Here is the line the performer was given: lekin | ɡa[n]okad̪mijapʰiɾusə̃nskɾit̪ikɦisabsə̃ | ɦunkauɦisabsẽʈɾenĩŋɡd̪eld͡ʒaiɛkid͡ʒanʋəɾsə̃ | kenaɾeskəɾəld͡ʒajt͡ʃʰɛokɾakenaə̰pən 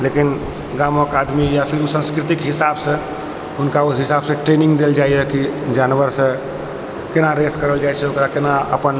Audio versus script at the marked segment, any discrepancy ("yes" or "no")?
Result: yes